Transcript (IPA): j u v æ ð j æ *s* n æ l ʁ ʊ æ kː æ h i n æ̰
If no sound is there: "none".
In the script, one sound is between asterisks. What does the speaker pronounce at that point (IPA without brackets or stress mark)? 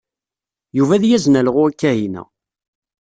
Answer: z